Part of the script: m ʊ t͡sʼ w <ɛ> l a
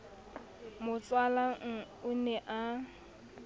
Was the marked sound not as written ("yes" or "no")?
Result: yes